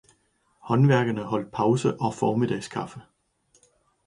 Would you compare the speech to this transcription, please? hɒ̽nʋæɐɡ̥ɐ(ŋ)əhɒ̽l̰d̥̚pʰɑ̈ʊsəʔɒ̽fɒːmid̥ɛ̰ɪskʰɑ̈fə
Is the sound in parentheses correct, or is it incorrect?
incorrect